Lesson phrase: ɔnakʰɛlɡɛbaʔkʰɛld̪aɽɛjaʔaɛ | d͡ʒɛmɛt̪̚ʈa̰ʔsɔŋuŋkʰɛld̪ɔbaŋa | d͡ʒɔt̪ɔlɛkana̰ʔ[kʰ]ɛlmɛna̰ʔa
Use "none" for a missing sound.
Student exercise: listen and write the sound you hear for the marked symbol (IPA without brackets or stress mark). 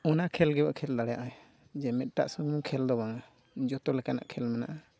kʰ